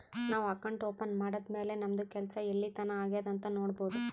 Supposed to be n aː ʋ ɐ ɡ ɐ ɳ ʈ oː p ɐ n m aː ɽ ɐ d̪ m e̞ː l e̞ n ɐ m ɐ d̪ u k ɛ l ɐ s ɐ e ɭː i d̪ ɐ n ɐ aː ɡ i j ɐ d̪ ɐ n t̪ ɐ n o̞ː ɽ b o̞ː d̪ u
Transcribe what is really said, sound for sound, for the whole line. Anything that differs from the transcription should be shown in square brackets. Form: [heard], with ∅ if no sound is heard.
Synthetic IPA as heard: n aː ʋ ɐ [k] ɐ ɳ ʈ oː p ɐ n m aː ɽ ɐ d̪ m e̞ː l e̞ n ɐ m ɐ d̪ u k ɛ l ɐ s ɐ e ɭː i [t̪] ɐ n ɐ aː ɡ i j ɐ d̪ ɐ n t̪ ɐ n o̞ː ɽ b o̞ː d̪ u